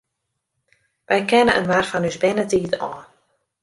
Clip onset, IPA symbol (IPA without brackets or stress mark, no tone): ʋ